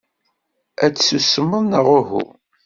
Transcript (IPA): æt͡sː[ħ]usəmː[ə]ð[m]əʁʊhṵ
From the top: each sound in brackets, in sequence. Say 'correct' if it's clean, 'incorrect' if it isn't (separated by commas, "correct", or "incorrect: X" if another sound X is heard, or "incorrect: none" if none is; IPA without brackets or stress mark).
incorrect: s, correct, incorrect: n